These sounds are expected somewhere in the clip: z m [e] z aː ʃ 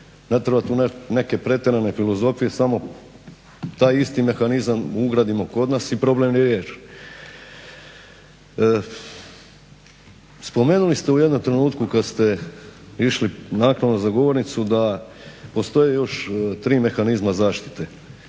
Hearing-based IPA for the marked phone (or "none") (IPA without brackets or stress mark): a